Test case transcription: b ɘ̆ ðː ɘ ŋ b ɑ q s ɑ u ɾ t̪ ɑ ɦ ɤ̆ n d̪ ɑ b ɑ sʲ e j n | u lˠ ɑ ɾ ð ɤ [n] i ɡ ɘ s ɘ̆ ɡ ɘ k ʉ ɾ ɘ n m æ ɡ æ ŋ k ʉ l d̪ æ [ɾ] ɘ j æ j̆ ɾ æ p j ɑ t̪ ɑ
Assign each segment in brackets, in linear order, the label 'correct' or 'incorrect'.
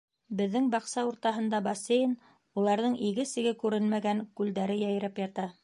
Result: incorrect: ɴ, correct

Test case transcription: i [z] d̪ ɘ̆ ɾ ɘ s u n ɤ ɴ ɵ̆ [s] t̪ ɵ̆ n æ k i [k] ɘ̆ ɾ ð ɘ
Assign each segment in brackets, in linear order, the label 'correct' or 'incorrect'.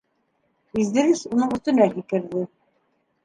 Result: correct, correct, correct

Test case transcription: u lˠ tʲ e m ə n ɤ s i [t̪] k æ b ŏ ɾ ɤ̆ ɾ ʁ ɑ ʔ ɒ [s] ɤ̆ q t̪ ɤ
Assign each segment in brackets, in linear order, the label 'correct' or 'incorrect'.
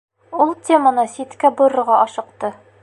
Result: correct, incorrect: ʃ

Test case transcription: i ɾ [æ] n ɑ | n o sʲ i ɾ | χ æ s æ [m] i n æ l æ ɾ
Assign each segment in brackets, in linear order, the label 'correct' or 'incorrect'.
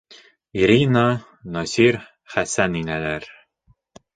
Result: incorrect: i, incorrect: n

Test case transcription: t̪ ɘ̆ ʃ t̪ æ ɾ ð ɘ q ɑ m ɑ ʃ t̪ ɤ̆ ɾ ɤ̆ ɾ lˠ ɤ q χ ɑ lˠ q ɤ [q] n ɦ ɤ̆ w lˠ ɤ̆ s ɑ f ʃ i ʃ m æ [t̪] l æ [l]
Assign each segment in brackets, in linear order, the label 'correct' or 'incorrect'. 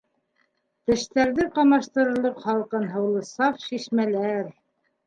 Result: incorrect: none, incorrect: none, incorrect: ɾ

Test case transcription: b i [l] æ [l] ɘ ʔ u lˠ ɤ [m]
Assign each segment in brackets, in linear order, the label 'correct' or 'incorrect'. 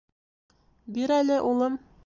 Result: incorrect: ɾ, correct, correct

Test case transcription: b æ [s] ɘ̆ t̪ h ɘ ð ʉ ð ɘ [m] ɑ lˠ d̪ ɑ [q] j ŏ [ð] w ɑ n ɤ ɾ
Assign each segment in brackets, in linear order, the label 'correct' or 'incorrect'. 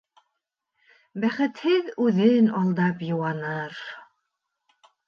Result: incorrect: χ, incorrect: n, incorrect: p, incorrect: none

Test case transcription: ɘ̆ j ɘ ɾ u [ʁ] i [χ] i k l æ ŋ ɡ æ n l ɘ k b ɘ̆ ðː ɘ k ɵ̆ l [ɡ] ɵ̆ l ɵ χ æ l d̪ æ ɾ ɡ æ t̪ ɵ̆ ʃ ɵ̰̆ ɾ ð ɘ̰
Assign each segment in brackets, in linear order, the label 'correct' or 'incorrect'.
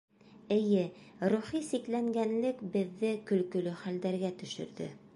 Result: incorrect: χ, incorrect: s, incorrect: k

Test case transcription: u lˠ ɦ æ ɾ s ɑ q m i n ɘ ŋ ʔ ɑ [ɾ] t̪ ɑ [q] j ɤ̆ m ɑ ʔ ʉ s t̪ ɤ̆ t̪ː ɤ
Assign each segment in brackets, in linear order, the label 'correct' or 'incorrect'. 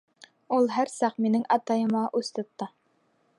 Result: incorrect: none, incorrect: none

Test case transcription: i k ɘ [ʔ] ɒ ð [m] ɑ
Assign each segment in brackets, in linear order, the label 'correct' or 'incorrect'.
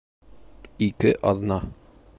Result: correct, incorrect: n

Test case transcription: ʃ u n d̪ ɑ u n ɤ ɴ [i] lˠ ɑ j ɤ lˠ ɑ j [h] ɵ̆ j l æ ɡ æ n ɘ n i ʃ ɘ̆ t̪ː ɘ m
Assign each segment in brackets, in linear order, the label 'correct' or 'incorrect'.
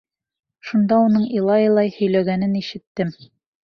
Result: correct, correct

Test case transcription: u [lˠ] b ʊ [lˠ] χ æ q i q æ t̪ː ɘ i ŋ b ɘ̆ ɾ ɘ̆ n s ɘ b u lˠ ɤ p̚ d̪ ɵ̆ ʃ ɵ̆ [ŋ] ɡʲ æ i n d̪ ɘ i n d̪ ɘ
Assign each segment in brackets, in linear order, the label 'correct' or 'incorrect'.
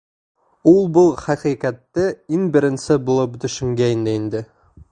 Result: correct, correct, correct

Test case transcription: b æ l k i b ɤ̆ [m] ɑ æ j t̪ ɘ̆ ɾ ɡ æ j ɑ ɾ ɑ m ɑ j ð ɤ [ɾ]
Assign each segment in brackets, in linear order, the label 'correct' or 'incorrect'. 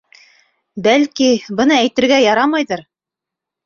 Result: incorrect: n, correct

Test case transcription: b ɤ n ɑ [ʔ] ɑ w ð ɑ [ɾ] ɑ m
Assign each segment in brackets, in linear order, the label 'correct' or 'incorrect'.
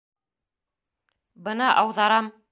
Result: correct, correct

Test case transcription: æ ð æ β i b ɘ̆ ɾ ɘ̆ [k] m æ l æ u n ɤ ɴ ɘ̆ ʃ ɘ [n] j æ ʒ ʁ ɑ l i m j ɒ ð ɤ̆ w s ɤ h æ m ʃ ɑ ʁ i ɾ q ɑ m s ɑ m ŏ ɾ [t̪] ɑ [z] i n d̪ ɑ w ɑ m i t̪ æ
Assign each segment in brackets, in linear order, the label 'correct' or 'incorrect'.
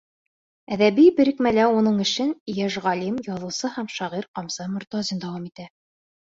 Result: correct, correct, correct, correct

